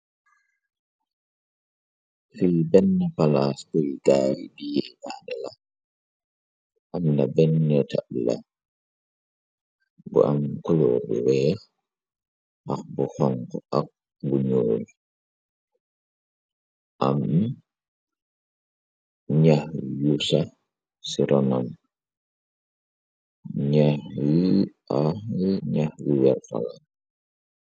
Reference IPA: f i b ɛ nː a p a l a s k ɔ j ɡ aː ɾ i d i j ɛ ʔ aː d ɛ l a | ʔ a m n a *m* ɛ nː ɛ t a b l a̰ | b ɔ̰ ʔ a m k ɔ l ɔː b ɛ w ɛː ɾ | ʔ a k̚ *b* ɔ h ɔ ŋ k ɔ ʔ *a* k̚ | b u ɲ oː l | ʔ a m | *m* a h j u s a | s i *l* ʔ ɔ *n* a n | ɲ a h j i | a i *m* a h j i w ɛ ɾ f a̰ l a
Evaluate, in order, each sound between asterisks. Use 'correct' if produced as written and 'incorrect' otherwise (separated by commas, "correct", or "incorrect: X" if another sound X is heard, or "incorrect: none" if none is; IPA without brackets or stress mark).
incorrect: b, correct, correct, incorrect: ɲ, incorrect: ɾ, correct, incorrect: ɲ